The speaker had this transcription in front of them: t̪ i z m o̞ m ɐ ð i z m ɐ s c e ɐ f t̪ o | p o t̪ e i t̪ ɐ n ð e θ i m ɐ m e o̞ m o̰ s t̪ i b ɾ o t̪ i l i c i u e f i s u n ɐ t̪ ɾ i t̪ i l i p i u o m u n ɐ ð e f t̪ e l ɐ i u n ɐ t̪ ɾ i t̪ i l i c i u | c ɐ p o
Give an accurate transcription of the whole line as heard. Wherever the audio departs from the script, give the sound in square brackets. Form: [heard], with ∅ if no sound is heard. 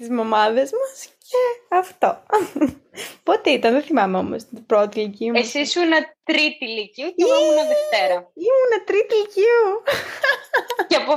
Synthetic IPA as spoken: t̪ i z m o̞ m ɐ ð [e] z m ɐ s c e ɐ f t̪ o | p o t̪ e i t̪ ɐ n ð e θ i m ɐ m e o̞ m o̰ s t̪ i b ɾ o t̪ i l i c i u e [s] i s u n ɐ t̪ ɾ i t̪ i l i [c] i u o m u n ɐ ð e f t̪ e [ɾ] ɐ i u n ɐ t̪ ɾ i t̪ i l i c i u | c ɐ p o